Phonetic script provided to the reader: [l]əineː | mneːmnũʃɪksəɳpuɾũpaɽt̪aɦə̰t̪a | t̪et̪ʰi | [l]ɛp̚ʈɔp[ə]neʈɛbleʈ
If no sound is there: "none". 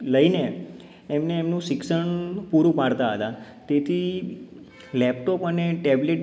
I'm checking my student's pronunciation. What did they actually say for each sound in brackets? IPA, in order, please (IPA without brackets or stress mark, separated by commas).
l, l, ə